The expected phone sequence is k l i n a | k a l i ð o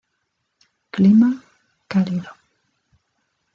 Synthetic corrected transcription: k l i m a | k a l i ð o